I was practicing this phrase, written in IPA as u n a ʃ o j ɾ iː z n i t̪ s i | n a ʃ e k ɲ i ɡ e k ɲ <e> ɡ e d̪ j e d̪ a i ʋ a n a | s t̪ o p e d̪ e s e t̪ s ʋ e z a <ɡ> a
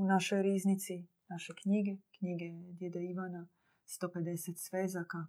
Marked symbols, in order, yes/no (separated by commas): no, no